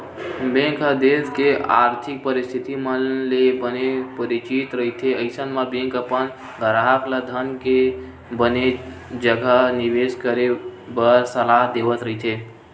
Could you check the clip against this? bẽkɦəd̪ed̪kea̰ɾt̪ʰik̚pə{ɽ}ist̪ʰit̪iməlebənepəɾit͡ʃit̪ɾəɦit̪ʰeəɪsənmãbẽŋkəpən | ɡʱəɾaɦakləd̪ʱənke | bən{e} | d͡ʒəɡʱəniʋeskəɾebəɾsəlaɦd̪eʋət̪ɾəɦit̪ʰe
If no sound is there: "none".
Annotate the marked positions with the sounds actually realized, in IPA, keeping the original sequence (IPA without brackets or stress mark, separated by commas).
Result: ɾ, e